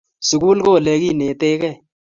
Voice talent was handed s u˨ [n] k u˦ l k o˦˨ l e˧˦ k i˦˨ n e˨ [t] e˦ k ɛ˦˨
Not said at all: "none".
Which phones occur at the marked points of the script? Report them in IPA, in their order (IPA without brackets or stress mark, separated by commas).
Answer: none, t